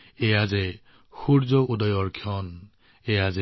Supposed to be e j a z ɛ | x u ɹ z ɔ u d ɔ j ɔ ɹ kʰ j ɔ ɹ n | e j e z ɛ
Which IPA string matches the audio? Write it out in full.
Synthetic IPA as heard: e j a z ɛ | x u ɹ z ɔ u d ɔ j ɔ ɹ kʰ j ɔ n | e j a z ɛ